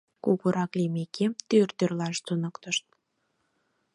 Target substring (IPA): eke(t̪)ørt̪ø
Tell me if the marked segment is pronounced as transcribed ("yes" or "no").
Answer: yes